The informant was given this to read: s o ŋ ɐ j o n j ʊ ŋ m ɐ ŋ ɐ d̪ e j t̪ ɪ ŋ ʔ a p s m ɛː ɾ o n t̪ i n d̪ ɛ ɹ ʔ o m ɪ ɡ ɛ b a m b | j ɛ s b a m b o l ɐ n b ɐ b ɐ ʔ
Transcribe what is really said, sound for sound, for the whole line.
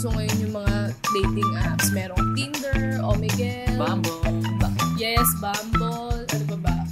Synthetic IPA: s o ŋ ɐ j o n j ʊ ŋ m ɐ ŋ a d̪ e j t̪ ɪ ŋ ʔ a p s m ɛː ɾ o ŋ t̪ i n d̪ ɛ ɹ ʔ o m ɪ ɡ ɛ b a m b | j ɛ s b a m b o l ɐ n b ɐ b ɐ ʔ